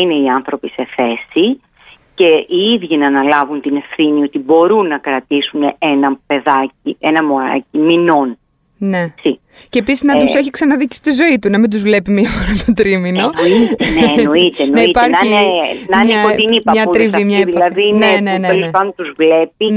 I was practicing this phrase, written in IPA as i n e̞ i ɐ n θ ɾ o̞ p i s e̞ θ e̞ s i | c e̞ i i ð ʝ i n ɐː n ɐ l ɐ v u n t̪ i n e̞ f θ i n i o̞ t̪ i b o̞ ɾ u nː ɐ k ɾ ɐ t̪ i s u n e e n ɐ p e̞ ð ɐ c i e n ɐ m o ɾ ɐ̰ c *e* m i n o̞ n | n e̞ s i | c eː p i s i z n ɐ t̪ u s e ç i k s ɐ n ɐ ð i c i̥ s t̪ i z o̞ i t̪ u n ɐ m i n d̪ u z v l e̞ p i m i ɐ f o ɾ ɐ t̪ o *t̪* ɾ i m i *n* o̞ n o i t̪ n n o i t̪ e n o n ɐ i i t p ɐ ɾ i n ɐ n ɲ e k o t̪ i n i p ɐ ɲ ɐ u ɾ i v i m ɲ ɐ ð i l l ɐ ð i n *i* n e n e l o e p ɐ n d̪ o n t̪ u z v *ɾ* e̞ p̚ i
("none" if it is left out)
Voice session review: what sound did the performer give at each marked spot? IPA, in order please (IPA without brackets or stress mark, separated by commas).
i, t̪, n, e, l